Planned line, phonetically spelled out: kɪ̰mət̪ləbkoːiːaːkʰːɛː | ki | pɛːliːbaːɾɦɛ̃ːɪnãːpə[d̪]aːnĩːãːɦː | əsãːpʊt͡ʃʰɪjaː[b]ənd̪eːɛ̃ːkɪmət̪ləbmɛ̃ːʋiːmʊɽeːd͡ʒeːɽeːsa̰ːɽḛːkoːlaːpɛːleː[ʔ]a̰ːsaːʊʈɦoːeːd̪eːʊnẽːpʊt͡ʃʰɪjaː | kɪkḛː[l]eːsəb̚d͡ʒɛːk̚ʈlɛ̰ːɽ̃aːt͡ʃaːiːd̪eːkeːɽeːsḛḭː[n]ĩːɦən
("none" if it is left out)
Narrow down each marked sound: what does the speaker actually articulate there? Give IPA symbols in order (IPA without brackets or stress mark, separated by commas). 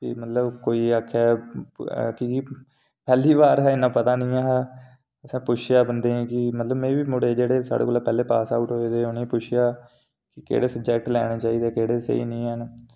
t̪, b, p, ɽ, n